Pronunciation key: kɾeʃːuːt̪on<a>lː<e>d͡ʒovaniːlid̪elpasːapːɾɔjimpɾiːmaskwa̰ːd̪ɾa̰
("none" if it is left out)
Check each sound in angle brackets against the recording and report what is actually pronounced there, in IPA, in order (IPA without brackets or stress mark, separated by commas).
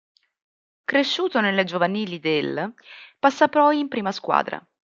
e, e